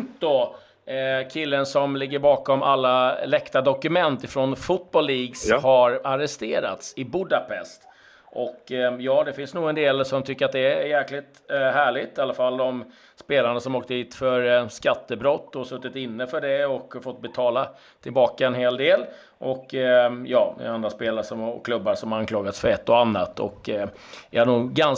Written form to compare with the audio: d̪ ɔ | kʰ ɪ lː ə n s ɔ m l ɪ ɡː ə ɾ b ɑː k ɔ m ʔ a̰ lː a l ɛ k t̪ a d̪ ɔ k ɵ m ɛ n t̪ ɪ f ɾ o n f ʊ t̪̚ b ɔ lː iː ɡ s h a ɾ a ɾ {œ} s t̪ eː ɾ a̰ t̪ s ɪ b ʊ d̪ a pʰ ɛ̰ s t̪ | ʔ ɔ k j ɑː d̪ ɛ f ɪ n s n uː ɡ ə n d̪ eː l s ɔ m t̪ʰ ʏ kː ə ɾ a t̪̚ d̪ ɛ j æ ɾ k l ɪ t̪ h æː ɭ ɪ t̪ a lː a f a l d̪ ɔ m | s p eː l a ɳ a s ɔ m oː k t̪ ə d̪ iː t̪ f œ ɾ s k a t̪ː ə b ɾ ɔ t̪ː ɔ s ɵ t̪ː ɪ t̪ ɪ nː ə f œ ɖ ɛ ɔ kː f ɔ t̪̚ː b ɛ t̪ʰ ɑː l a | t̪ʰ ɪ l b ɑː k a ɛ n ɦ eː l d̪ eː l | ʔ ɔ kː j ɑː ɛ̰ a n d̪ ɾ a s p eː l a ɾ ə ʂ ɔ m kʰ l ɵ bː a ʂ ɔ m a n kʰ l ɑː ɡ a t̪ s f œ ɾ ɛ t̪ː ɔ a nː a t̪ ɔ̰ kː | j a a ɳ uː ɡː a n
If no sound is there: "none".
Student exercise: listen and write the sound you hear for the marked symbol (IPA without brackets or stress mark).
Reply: ɛ